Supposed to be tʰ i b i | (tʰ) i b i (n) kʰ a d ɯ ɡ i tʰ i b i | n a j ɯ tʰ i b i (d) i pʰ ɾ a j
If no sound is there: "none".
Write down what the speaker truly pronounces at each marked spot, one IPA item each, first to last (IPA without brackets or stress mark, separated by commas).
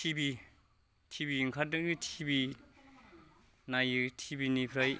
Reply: tʰ, ŋ, n